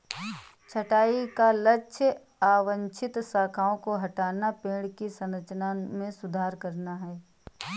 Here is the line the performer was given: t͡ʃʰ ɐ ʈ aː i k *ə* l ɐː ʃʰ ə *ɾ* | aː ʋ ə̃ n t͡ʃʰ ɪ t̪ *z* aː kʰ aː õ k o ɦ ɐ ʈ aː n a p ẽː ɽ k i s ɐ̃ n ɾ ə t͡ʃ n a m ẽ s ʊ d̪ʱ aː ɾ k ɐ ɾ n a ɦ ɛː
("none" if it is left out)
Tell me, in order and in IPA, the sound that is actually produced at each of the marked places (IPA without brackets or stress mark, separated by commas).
a, none, s